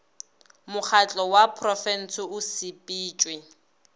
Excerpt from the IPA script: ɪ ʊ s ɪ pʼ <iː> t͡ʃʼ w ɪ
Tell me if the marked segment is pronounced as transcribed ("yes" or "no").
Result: yes